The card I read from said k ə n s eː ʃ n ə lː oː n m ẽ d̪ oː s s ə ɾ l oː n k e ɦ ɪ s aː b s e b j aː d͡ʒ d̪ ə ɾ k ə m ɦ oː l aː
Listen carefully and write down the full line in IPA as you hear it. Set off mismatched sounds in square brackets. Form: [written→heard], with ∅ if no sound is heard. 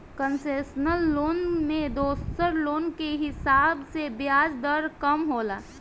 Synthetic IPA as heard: k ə n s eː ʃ n ə lː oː n m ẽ d̪ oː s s ə ɾ l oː n k e ɦ ɪ s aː b s e b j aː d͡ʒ d̪ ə ɾ k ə m ɦ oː l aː